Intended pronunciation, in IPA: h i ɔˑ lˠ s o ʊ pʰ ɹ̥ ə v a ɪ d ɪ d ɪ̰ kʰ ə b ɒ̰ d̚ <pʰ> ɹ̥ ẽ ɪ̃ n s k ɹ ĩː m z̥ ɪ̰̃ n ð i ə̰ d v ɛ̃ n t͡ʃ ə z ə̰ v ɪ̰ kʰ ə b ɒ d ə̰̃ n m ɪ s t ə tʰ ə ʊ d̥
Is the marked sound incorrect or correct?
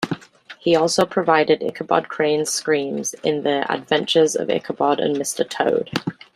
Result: incorrect